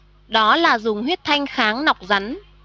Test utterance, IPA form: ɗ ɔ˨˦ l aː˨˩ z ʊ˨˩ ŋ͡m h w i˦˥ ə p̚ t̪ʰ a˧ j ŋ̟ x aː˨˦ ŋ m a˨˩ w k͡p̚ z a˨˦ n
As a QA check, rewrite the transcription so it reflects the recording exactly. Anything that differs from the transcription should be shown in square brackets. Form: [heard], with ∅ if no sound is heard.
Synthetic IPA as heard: ɗ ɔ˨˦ l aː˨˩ z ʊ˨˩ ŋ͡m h w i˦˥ ə [t̚] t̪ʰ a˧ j ŋ̟ x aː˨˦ ŋ [n] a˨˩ w k͡p̚ z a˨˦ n

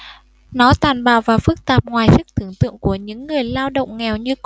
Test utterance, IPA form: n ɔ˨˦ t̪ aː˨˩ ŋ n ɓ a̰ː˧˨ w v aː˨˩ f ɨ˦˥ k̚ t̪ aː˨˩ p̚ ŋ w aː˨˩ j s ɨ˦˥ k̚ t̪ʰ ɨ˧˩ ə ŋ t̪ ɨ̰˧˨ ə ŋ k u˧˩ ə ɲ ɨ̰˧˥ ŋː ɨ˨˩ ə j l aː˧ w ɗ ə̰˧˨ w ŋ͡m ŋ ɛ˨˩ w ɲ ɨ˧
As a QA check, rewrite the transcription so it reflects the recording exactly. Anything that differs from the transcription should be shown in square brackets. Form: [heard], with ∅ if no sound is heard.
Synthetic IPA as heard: n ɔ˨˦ t̪ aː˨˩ [∅] n ɓ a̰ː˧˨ w v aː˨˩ f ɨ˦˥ k̚ t̪ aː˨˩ p̚ ŋ w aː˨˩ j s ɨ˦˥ k̚ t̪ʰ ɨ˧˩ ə ŋ t̪ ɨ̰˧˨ ə ŋ k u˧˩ ə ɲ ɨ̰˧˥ ŋː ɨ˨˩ ə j l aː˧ w ɗ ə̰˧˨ w ŋ͡m ŋ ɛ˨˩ w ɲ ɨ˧

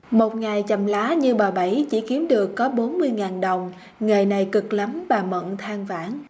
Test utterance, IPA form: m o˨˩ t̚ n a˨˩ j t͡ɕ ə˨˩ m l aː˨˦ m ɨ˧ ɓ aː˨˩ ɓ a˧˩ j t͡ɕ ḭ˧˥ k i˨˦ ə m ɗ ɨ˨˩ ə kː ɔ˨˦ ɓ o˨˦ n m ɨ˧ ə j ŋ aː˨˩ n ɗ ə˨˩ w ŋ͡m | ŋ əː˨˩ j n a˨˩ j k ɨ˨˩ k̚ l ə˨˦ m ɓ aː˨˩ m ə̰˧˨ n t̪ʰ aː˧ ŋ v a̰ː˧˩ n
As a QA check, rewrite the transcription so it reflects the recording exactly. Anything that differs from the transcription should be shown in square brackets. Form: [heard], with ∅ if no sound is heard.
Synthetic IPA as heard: m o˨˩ t̚ [ŋ] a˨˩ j t͡ɕ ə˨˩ m l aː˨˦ [ɲ] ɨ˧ ɓ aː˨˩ ɓ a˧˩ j t͡ɕ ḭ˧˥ k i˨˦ ə m ɗ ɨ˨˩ ə kː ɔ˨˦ ɓ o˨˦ n m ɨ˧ ə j ŋ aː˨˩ n ɗ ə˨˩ w ŋ͡m | ŋ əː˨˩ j n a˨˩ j k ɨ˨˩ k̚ l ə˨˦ m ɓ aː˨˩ m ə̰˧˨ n t̪ʰ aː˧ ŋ v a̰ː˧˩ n

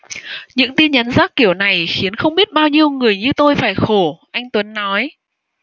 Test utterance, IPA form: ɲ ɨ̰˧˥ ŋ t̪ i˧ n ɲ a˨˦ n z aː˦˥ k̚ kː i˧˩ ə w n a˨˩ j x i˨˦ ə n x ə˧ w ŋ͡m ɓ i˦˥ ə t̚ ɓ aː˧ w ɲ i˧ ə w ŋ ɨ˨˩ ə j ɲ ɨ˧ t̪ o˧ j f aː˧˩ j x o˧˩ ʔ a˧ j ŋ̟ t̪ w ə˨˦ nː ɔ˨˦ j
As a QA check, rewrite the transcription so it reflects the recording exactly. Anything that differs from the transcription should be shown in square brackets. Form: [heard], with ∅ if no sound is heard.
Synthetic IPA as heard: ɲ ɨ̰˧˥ ŋ t̪ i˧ n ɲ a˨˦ n z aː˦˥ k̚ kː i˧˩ ə w n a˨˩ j x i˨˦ ə n x ə˧ w ŋ͡m ɓ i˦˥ ə t̚ ɓ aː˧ w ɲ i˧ ə w ŋ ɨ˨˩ ə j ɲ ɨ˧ t̪ o˧ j f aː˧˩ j x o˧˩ ʔ a˧ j ŋ̟ t̪ w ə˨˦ nː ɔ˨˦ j

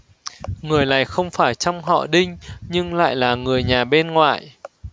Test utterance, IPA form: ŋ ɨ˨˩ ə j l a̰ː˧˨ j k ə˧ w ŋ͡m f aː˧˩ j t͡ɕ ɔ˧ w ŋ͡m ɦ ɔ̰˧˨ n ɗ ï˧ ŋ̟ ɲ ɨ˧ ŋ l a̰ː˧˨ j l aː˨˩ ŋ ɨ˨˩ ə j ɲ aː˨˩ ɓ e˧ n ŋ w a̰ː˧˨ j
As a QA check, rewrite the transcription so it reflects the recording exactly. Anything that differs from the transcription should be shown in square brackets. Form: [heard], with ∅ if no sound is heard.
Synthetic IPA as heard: ŋ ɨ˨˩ ə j l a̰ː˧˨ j [x] ə˧ w ŋ͡m f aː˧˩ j t͡ɕ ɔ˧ w ŋ͡m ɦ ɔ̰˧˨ [∅] ɗ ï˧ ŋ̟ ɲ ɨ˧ ŋ l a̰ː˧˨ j l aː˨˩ ŋ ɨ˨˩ ə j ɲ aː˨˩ ɓ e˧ n ŋ w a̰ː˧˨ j

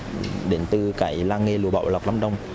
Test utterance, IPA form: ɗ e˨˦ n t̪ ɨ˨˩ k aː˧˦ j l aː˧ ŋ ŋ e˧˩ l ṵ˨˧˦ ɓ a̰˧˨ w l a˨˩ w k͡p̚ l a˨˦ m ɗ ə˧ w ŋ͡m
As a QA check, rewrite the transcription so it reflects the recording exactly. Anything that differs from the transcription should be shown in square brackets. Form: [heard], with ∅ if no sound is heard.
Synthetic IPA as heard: ɗ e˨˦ n t̪ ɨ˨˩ k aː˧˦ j l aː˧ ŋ ŋ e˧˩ l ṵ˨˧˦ ɓ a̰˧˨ w l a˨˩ w k͡p̚ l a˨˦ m ɗ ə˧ w ŋ͡m

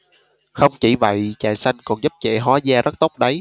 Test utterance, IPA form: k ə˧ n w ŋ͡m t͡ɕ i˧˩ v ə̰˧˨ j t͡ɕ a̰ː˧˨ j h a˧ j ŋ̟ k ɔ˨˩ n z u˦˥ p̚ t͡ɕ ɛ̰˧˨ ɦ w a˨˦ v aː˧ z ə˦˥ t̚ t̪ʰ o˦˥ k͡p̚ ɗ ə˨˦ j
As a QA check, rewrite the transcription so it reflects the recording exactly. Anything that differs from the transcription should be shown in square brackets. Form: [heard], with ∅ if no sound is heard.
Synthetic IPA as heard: [x] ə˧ [∅] w ŋ͡m t͡ɕ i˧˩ v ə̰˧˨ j t͡ɕ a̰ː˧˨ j [s] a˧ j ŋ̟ k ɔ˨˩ n z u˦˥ p̚ t͡ɕ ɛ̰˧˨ ɦ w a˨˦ [z] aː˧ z ə˦˥ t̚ [t̪] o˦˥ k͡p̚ ɗ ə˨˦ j

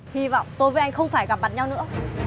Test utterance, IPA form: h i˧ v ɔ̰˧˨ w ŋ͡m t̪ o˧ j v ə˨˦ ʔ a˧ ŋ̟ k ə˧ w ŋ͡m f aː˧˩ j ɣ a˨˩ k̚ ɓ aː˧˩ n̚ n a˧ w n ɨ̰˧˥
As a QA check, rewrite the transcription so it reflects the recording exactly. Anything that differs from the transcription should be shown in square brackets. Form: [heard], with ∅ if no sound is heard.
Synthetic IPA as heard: h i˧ v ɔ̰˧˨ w ŋ͡m t̪ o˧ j v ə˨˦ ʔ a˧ ŋ̟ [x] ə˧ w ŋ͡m f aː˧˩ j ɣ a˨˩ [p̚] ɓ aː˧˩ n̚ [ɲ] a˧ w n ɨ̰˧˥

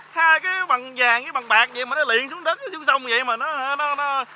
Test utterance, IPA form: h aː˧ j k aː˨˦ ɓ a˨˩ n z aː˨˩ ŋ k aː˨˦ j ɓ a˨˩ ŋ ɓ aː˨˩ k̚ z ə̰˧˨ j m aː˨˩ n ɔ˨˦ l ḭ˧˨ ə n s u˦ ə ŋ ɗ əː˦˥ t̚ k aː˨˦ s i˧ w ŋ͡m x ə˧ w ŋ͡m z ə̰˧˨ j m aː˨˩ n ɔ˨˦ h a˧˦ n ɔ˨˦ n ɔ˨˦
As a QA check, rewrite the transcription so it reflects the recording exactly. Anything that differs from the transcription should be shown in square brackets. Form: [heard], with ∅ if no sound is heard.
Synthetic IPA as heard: h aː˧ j k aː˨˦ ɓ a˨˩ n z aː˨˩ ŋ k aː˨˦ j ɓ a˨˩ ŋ ɓ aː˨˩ k̚ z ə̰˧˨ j m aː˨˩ n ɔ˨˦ l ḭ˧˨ ə n s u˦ ə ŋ ɗ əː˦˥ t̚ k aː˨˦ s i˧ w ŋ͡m [s] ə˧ w ŋ͡m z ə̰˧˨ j m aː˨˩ n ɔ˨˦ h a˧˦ n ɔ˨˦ n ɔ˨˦

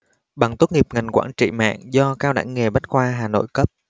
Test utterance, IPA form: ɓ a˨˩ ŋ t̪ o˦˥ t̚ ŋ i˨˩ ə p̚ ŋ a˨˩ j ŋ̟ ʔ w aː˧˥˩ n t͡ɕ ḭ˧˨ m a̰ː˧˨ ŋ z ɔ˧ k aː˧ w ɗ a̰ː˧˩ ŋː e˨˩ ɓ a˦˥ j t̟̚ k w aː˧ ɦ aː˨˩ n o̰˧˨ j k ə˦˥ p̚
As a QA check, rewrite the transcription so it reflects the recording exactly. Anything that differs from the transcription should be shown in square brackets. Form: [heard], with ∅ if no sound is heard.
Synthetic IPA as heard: ɓ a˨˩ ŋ t̪ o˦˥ t̚ ŋ i˨˩ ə p̚ ŋ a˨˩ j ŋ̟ [k] w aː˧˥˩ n t͡ɕ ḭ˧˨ m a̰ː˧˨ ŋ z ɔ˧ k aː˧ w ɗ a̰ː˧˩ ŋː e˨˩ ɓ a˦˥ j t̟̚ k w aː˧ ɦ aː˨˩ n o̰˧˨ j k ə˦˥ p̚

